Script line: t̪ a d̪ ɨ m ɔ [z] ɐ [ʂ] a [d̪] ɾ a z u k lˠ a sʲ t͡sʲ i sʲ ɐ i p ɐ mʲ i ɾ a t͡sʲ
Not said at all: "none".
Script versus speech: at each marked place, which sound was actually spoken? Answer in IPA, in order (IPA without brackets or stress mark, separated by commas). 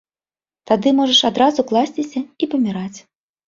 ʐ, ʂ, d̪